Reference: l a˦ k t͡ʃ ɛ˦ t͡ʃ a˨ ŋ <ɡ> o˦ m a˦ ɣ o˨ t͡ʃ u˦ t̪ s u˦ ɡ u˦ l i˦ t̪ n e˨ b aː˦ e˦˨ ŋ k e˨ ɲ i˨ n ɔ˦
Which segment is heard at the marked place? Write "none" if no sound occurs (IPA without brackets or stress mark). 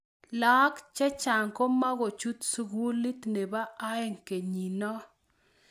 k